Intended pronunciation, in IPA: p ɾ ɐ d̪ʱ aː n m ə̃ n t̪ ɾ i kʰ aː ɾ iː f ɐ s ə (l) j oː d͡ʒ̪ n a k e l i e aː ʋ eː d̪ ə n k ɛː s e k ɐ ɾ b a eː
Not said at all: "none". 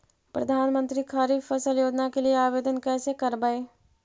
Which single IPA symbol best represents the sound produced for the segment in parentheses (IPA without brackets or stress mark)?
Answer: l